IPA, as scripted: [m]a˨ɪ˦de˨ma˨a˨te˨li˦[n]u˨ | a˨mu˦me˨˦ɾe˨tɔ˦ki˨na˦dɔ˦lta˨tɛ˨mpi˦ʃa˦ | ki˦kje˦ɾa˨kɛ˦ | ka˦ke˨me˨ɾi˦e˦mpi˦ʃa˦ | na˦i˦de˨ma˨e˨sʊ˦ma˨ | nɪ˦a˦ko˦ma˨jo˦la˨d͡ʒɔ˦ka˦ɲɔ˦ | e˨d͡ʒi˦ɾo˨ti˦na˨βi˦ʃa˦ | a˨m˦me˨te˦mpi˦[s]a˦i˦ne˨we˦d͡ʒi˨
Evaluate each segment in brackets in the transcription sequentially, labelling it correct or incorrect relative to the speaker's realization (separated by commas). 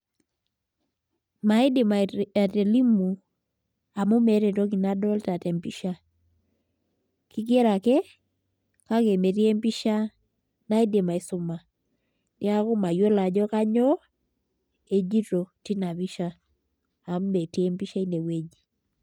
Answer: correct, incorrect, incorrect